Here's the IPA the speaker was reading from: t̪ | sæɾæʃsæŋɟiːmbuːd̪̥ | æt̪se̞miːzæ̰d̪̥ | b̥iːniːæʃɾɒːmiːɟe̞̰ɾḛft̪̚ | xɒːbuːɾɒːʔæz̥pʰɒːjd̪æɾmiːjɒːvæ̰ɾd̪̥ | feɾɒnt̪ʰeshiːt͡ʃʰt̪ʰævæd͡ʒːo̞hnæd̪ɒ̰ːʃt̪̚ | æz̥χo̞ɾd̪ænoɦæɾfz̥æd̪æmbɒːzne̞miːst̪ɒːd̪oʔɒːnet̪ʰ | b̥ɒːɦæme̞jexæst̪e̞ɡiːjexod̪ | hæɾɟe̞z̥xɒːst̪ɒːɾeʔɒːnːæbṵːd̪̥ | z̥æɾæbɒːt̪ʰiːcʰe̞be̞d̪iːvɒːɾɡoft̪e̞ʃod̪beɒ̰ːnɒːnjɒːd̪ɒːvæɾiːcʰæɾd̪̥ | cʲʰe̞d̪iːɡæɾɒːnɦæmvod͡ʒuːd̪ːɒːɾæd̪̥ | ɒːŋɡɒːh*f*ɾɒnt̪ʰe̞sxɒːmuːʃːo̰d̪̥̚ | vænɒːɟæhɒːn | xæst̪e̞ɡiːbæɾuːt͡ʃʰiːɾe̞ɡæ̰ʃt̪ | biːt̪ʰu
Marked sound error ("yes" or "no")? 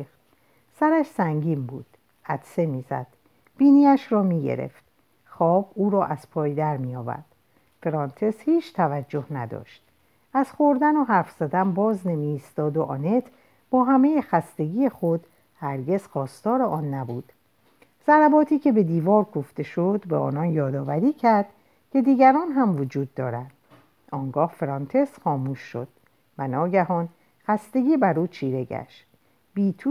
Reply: no